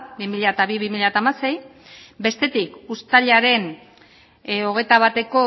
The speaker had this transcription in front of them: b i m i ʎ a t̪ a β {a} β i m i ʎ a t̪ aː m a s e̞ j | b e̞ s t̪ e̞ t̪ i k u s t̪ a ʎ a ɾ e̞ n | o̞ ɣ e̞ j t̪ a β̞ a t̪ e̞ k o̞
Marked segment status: incorrect: i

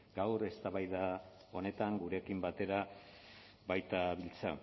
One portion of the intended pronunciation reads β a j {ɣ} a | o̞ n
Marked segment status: incorrect: ð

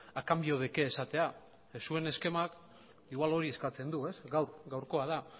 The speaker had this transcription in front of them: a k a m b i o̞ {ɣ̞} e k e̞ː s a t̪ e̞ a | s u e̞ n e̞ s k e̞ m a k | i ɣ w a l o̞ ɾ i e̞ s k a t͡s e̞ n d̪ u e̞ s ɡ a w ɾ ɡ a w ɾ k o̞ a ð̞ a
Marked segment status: incorrect: ð̞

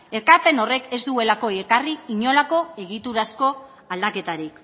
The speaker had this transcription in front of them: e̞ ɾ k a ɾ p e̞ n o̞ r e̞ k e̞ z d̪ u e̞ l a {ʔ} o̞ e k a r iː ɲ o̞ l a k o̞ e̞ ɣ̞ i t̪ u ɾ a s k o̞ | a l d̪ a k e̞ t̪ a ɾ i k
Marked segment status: incorrect: k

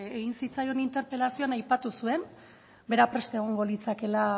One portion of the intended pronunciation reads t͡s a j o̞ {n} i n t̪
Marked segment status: correct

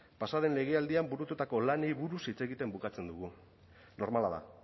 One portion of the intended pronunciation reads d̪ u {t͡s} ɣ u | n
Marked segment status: incorrect: none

